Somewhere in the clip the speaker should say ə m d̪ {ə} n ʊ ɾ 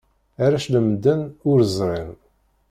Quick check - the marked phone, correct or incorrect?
correct